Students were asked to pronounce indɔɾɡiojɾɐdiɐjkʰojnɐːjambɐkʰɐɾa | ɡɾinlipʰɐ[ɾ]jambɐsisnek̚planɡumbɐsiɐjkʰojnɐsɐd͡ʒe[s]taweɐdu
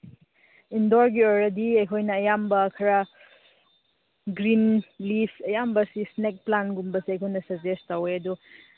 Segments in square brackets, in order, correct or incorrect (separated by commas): incorrect, correct